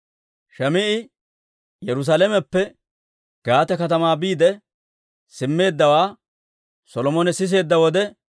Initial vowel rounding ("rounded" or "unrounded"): unrounded